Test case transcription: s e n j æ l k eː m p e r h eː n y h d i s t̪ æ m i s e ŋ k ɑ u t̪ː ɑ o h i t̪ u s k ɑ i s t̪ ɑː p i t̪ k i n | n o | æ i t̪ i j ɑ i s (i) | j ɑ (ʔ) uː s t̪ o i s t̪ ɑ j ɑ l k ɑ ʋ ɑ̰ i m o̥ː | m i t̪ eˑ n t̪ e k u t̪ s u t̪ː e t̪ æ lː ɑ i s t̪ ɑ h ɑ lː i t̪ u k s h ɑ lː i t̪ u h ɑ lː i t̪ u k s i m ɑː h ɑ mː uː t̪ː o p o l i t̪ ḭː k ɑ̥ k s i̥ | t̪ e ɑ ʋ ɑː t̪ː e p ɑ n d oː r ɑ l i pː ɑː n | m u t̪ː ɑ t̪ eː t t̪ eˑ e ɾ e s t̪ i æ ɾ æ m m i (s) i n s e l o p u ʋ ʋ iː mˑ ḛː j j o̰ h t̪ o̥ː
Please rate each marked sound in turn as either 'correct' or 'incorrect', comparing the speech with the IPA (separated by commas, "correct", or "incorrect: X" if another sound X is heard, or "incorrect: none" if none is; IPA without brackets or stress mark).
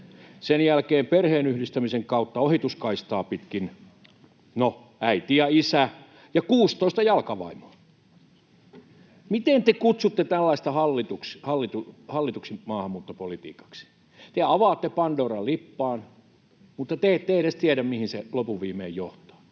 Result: incorrect: æ, incorrect: k, incorrect: h